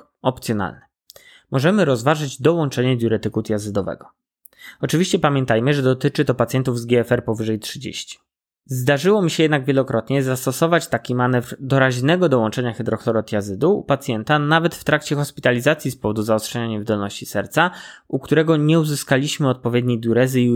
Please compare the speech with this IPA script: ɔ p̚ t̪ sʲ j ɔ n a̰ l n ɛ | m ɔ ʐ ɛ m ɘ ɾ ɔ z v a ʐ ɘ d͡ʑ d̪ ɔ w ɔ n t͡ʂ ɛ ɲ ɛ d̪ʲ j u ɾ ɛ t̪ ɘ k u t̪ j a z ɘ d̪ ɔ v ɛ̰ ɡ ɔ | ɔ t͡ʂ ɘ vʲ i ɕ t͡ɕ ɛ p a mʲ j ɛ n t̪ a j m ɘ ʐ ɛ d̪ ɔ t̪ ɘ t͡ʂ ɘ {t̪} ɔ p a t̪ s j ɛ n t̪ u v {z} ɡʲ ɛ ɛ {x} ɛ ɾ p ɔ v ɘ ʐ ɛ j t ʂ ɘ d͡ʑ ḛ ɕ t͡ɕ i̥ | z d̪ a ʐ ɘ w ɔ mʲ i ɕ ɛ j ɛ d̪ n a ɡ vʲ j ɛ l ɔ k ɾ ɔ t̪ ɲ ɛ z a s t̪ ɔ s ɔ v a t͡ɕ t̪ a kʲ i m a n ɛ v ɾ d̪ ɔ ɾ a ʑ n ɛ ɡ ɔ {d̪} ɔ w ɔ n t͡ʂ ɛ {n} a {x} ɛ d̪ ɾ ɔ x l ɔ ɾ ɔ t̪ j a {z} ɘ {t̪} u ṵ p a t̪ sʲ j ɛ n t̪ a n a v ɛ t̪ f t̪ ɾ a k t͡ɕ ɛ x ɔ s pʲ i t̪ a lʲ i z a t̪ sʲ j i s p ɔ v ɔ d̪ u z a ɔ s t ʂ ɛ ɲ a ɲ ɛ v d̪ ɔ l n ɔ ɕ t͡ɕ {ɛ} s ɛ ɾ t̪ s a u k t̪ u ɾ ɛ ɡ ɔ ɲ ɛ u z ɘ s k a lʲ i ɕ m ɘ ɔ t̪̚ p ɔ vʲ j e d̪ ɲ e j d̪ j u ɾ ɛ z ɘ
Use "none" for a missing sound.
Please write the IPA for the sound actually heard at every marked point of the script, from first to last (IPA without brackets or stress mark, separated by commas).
t̪, z, f, d̪, ɲ, x, z, d̪, i